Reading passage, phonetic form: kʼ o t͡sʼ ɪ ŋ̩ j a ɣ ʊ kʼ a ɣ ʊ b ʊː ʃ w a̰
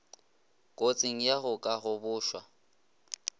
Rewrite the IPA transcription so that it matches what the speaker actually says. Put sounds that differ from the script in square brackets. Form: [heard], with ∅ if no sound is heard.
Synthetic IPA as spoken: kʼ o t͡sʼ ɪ ŋ̩ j a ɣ ʊ kʼ a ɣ ʊ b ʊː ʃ w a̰